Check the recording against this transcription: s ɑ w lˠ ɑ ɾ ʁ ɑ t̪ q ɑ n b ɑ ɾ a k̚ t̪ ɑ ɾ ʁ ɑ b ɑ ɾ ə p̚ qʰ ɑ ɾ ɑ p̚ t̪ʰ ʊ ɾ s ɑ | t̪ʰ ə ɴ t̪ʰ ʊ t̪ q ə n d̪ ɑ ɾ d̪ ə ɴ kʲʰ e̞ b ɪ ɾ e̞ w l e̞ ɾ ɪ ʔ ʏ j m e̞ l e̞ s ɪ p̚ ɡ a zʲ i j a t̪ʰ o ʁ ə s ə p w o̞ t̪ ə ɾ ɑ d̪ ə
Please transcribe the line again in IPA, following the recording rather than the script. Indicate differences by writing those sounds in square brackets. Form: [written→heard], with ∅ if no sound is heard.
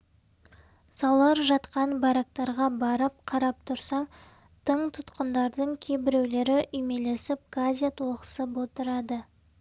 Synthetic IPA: s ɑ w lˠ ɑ ɾ [ʁ→ʒ] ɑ t̪ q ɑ n b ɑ ɾ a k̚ t̪ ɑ ɾ ʁ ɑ b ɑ ɾ ə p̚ qʰ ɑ ɾ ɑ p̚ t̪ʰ ʊ ɾ s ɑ | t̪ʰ ə ɴ t̪ʰ ʊ t̪ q ə n d̪ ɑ ɾ d̪ ə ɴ kʲʰ e̞ b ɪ ɾ e̞ w l e̞ ɾ ɪ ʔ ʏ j m e̞ l e̞ s ɪ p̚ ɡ a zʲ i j a t̪ʰ o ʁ ə s ə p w o̞ t̪ ə ɾ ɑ d̪ ə